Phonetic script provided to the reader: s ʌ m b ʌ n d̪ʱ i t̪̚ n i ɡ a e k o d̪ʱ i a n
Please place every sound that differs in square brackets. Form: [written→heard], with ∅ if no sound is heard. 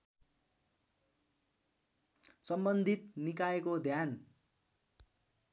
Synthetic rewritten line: s ʌ m b ʌ n d̪ʱ i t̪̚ n i [ɡ→k] a e k o d̪ʱ [i→j] a n